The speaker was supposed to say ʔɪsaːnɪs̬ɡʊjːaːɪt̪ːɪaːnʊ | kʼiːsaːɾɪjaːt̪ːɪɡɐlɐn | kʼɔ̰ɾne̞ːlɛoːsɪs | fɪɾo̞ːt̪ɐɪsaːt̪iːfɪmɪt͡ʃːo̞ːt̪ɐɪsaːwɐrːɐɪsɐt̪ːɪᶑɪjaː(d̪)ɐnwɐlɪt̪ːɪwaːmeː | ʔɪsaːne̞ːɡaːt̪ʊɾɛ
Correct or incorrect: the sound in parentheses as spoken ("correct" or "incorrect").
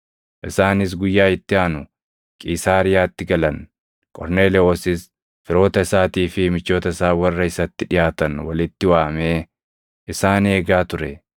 incorrect